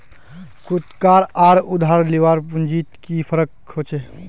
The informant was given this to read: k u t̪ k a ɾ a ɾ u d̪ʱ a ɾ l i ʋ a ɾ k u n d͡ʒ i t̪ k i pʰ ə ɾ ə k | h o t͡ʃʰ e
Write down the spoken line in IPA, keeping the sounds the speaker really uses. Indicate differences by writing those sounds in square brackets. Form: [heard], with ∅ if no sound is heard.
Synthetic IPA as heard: k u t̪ k a ɾ a ɾ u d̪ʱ a ɾ l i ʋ a ɾ [p] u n d͡ʒ i t̪ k i pʰ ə ɾ ə k | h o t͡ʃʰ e